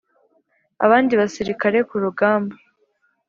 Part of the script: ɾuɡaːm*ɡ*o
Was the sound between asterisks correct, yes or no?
no